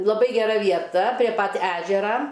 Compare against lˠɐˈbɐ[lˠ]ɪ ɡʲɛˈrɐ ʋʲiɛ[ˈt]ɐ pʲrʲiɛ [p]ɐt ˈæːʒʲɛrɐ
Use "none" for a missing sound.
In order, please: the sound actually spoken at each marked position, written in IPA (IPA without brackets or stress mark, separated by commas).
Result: none, t, p